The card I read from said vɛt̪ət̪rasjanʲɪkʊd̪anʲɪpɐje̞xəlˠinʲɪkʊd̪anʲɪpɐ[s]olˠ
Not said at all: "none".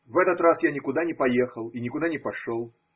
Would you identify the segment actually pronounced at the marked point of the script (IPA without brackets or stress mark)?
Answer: ʂ